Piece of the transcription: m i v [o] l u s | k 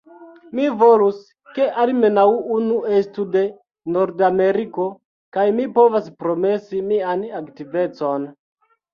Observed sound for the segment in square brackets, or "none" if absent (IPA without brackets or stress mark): o